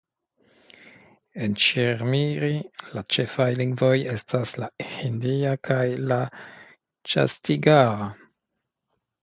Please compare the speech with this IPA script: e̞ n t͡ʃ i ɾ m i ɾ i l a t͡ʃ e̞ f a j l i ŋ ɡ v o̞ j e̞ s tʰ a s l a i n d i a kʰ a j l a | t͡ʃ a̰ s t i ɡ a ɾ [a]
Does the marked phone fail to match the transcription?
no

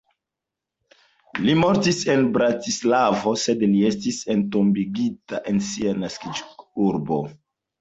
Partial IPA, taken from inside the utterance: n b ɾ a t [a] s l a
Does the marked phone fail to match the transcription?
yes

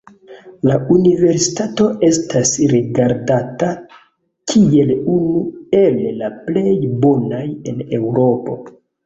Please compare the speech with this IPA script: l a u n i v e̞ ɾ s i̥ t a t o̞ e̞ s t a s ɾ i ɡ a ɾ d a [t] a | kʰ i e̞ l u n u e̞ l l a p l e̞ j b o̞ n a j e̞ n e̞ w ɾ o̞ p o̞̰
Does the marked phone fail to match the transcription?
no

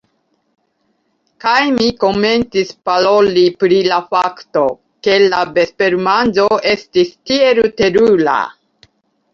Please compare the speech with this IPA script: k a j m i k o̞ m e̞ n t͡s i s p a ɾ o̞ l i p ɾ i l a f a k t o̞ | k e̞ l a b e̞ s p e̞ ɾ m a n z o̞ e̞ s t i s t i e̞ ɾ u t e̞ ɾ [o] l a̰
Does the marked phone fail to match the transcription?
yes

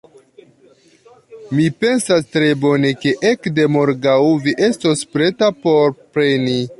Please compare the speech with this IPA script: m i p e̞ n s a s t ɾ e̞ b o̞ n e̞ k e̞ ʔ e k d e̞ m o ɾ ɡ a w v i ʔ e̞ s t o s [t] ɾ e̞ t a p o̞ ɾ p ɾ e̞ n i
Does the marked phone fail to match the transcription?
yes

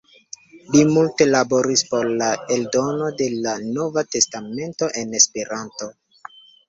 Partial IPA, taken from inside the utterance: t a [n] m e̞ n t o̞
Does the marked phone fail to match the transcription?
yes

